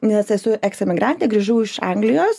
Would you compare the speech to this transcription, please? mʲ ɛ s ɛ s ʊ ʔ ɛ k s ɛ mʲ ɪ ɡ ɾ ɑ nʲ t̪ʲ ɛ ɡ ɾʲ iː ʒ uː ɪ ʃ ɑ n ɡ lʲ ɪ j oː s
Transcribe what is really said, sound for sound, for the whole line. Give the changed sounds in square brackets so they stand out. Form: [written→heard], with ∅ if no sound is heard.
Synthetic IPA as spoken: [mʲ→nʲ] ɛ s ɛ s ʊ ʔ ɛ k s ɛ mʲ ɪ ɡ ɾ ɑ nʲ t̪ʲ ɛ ɡ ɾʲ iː ʒ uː ɪ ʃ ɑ [n→ŋ] ɡ lʲ ɪ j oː s